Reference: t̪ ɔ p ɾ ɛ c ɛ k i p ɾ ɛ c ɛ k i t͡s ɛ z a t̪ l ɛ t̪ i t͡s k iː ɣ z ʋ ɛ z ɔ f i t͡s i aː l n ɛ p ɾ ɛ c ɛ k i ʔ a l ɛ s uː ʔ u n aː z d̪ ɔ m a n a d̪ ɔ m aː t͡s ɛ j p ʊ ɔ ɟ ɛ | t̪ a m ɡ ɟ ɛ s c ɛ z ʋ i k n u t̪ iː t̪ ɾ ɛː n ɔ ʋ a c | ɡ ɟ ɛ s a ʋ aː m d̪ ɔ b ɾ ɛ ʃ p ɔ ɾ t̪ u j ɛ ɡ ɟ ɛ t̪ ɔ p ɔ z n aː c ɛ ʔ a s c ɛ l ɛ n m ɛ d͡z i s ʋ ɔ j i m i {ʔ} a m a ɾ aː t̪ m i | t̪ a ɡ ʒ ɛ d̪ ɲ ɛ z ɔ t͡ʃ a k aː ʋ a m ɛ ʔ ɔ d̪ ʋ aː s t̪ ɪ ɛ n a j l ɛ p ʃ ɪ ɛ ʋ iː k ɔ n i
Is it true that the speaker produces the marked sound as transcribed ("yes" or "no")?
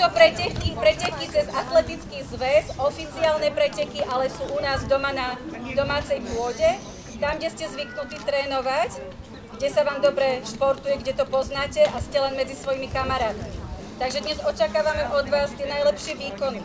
no